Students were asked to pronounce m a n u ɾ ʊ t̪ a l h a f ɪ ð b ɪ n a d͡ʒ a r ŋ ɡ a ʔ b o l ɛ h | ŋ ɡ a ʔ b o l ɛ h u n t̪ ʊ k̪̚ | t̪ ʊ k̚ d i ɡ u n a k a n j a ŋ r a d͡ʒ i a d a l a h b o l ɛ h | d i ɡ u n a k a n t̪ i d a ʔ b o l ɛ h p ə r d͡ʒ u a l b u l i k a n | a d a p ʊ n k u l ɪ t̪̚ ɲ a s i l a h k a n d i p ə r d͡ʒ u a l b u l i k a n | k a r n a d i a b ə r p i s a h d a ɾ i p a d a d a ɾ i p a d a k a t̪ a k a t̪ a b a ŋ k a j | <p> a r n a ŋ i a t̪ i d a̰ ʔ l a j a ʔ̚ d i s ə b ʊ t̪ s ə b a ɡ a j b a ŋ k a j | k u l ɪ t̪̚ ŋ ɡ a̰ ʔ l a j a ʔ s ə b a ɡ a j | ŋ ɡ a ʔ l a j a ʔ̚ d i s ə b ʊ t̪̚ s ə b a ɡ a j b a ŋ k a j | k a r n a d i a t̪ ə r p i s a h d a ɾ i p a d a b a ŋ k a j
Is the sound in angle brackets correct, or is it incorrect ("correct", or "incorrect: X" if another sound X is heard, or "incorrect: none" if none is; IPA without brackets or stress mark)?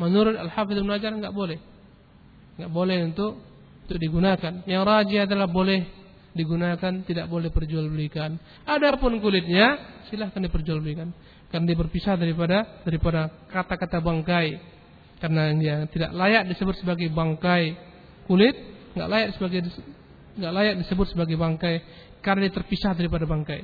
incorrect: k